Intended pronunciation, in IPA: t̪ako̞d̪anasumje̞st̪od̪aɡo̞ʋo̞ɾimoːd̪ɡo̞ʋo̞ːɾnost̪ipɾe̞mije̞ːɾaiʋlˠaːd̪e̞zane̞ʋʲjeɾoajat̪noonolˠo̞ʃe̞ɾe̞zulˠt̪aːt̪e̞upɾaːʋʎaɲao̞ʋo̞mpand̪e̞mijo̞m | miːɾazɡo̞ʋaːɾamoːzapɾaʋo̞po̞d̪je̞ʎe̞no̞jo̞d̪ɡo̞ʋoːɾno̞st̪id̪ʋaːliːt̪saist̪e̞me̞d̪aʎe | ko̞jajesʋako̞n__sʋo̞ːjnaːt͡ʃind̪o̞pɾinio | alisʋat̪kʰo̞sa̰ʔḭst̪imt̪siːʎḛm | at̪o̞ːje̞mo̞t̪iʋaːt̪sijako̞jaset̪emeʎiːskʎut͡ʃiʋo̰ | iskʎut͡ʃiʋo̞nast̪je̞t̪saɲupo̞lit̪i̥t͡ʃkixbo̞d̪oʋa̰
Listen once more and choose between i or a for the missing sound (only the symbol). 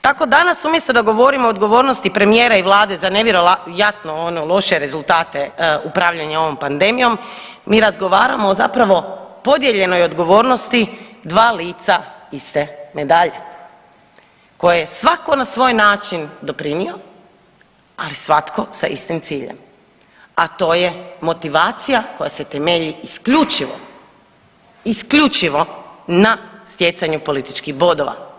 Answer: a